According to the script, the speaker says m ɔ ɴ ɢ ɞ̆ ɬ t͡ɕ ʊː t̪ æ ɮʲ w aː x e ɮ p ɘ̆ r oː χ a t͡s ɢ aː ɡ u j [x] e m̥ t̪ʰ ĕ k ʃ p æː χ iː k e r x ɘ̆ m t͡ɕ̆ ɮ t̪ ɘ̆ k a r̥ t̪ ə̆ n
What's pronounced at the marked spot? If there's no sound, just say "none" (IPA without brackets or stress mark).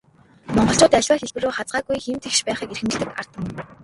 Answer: x